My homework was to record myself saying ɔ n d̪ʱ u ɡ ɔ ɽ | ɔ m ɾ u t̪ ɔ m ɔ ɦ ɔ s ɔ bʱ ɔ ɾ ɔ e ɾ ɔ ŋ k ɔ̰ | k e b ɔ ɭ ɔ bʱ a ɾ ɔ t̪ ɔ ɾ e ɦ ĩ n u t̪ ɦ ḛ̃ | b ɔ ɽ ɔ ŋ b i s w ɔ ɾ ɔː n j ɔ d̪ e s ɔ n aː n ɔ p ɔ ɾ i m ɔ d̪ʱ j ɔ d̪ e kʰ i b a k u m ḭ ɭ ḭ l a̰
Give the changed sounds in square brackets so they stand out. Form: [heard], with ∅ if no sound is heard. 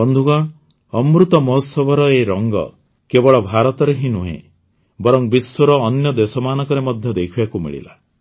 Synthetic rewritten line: ɔ n d̪ʱ u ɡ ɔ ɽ | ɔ m ɾ u t̪ ɔ m ɔ ɦ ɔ s ɔ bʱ ɔ ɾ ɔ e ɾ ɔ ŋ [ɡ] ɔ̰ | k e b ɔ ɭ ɔ bʱ a ɾ ɔ t̪ ɔ ɾ e ɦ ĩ n u [∅] ɦ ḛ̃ | b ɔ [ɾ] ɔ ŋ b i s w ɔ ɾ ɔː n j ɔ d̪ e s ɔ [m] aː n ɔ [k] ɔ ɾ [e] m ɔ d̪ʱ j ɔ d̪ e kʰ i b a k u m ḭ ɭ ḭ l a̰